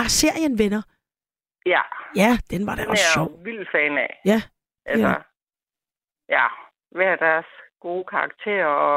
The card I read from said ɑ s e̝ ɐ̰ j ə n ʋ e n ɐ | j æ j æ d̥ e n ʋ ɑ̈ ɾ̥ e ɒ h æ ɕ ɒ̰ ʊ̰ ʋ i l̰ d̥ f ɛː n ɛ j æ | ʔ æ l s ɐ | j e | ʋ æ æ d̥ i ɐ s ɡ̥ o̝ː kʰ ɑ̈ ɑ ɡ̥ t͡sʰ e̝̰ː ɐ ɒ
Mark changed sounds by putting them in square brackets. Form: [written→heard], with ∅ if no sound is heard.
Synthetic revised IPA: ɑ s e̝ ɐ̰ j ə n ʋ e n ɐ | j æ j æ d̥ e n ʋ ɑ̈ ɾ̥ e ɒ [h→s] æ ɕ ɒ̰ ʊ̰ ʋ i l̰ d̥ f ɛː n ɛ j æ | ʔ æ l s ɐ | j [e→æ] | ʋ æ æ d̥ [i→æ] ɐ s ɡ̥ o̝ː kʰ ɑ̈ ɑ ɡ̥ t͡sʰ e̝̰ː ɐ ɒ